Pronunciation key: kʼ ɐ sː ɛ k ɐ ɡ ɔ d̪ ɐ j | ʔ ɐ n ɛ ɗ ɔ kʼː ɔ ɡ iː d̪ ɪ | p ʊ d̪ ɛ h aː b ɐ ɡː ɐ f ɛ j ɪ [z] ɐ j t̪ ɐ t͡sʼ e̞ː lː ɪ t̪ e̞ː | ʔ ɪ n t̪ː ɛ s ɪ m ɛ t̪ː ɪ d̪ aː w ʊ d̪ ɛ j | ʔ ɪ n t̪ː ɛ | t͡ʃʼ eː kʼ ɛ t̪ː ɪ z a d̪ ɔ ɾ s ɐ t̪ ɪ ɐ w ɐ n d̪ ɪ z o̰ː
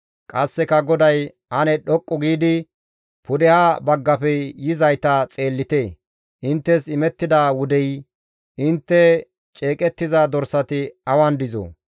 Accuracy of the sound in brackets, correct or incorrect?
correct